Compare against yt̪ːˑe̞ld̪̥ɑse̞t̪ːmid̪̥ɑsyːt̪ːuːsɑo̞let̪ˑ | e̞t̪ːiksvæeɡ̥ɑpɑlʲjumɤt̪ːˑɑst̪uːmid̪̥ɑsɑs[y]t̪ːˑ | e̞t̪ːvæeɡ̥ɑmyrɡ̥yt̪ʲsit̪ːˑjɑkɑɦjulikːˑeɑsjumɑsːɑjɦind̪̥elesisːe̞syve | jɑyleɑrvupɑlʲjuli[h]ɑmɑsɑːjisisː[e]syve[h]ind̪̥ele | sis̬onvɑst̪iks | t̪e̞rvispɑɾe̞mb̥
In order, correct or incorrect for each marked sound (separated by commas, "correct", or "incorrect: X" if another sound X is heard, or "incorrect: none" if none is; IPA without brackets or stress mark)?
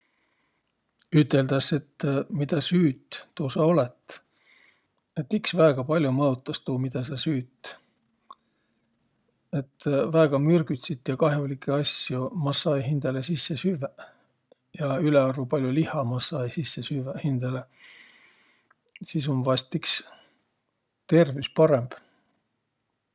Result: incorrect: yː, correct, correct, correct